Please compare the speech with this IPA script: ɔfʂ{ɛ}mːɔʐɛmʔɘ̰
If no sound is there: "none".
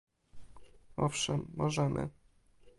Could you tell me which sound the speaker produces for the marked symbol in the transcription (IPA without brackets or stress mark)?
ɛ